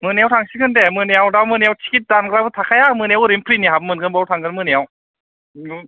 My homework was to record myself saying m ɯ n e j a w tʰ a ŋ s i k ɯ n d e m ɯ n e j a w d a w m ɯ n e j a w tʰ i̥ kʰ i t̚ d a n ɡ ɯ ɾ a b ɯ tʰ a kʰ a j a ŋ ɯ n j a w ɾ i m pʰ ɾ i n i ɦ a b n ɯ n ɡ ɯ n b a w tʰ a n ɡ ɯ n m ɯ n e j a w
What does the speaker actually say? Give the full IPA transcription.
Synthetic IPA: m ɯ n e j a w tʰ a ŋ s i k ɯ n d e m ɯ n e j a w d a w m ɯ n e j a w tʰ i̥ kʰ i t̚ d a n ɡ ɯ ɾ a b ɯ tʰ a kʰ a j a m ɯ n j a w ɾ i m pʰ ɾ i n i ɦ a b m ɯ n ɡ ɯ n b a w tʰ a ŋ ɡ ɯ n m ɯ n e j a w

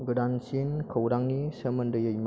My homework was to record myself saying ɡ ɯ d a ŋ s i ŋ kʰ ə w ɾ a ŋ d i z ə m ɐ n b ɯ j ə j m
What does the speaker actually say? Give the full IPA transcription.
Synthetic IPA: ɡ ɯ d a n s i n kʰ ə w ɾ a ŋ n i s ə m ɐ n d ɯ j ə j m

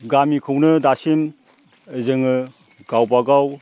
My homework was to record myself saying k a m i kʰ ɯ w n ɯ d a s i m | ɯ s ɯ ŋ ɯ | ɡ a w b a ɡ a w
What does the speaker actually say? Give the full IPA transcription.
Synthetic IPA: ɡ a m i kʰ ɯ w n ɯ d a s i m | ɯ z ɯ ŋ ɯ | ɡ a w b a ɡ a w

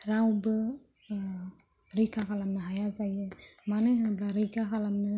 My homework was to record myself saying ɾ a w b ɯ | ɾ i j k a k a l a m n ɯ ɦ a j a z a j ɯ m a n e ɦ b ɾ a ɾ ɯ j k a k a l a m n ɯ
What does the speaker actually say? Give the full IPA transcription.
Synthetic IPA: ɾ a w b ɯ | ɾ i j k a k a l a m n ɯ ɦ a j a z a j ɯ m a n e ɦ b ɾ a ɾ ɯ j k a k a l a m n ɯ

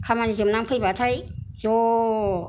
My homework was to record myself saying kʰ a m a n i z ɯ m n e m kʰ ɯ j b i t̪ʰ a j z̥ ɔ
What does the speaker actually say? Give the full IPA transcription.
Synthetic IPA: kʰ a m a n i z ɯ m n a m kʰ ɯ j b a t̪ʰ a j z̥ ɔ

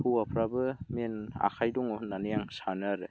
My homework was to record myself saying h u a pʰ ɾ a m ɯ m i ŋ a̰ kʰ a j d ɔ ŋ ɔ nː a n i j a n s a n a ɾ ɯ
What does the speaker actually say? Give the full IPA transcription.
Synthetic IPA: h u a pʰ ɾ a b ɯ m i n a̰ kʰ a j d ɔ ŋ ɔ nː a n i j a ŋ s a n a ɾ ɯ

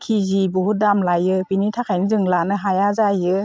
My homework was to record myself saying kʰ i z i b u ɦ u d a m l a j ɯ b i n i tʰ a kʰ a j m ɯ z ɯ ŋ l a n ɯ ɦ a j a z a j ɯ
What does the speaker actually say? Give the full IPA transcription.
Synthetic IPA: kʰ i z i b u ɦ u d a m l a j ɯ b i n i tʰ a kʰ a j n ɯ z ɯ ŋ l a n ɯ ɦ a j a z a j ɯ

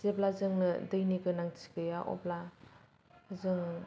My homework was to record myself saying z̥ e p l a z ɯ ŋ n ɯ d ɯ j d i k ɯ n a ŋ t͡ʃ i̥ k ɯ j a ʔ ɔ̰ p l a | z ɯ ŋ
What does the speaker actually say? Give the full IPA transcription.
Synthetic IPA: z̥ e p l a z ɯ ŋ n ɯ d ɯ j n i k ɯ n a ŋ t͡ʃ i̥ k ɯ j a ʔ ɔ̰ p l a | z ɯ ŋ

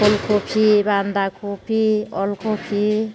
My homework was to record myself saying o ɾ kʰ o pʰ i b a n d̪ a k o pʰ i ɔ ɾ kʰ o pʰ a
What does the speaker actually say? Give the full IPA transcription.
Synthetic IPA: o l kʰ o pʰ i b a n d̪ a k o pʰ i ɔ l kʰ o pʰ i

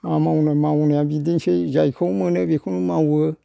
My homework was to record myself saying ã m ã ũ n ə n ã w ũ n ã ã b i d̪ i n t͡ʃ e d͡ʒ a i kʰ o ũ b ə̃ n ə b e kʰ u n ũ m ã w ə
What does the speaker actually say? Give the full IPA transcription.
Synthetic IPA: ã m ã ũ n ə m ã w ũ n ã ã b i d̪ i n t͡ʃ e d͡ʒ a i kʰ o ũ m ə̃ n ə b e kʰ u n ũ m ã w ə

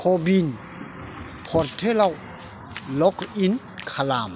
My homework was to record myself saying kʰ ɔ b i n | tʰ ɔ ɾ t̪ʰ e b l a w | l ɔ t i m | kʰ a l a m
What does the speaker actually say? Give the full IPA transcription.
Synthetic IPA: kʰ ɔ b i n | pʰ ɔ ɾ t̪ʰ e l a w | l ɔ k i n | kʰ a l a m

